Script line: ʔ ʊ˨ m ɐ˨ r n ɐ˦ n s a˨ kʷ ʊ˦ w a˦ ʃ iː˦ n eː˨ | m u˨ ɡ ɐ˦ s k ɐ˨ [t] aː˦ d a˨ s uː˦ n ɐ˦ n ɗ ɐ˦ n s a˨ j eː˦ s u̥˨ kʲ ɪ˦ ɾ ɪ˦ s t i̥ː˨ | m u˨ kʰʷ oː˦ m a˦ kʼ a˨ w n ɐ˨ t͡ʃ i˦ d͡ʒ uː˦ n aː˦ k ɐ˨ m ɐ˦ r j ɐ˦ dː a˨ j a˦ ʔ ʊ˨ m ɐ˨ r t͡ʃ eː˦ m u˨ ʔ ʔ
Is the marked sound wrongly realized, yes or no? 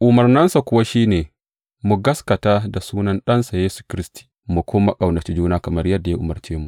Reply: no